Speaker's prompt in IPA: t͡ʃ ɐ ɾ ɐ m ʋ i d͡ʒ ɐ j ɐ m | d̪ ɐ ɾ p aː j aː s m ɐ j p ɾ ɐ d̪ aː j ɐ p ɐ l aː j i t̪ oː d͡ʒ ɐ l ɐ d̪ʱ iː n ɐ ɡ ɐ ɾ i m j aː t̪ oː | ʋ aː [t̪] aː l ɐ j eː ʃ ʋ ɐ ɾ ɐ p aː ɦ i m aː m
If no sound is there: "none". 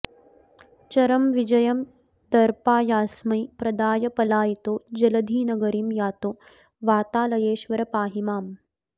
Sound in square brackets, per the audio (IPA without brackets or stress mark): t̪